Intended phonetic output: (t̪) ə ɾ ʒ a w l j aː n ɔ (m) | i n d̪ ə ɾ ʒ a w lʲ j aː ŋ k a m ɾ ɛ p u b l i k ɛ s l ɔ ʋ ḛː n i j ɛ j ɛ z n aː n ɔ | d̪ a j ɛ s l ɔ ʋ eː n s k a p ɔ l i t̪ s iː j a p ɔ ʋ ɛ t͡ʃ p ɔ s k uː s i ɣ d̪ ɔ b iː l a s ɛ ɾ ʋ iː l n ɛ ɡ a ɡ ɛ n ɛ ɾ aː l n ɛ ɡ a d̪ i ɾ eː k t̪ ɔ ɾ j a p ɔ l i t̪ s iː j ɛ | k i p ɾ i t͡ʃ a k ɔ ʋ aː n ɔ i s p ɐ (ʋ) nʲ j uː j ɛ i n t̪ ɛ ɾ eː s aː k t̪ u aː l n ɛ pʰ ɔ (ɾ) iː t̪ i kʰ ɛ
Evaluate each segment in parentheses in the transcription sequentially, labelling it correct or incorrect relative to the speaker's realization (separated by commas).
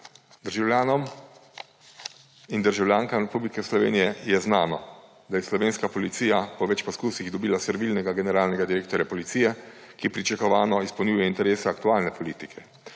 incorrect, correct, incorrect, incorrect